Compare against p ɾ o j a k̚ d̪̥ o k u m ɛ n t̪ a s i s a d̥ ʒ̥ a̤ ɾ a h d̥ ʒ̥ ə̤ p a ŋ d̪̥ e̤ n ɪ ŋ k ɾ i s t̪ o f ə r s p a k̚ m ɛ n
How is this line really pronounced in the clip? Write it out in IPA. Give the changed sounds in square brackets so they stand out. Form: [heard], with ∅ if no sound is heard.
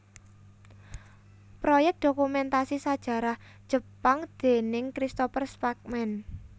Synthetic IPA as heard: p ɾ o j [ɛ] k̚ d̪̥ o k u m ɛ n t̪ a s i s a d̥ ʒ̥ a̤ ɾ a h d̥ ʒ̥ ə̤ p a ŋ d̪̥ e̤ n ɪ ŋ k ɾ i s t̪ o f ə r s p a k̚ m ɛ n